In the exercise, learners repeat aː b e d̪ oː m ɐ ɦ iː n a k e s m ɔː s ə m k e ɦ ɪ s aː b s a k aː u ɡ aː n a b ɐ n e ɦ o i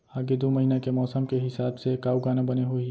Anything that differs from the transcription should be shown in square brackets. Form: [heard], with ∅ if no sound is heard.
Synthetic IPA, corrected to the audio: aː [ɡ] e d̪ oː m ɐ ɦ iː n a k e [∅] m ɔː s ə m k e ɦ ɪ s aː b s [e] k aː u ɡ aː n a b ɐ n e ɦ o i